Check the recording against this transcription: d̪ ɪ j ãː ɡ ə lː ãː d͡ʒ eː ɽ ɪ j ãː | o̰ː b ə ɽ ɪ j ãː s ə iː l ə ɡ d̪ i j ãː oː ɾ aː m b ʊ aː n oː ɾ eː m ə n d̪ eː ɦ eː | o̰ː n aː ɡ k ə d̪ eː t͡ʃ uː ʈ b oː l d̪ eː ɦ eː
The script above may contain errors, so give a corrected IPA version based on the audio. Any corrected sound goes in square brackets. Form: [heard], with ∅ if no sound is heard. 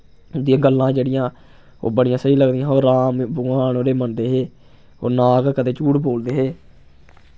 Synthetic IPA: d̪ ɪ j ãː ɡ ə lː ãː d͡ʒ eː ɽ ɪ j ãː | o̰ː b ə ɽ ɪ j ãː s ə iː l ə ɡ d̪ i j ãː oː ɾ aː m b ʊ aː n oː ɾ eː m ə n d̪ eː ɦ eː | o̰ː n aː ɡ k ə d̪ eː t͡ʃ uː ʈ b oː l d̪ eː ɦ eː